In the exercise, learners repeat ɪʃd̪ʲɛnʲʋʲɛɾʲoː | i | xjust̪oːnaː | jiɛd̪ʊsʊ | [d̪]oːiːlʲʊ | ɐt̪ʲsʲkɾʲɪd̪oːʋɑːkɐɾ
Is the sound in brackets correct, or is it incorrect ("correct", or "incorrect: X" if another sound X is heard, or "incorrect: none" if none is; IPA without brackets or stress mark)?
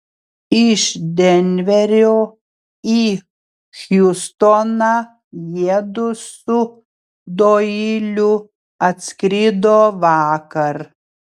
correct